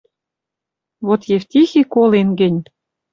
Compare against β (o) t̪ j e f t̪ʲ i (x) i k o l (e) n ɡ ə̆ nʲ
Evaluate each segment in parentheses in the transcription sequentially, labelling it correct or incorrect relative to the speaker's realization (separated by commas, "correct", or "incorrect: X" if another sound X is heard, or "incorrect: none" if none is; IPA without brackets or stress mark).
correct, correct, correct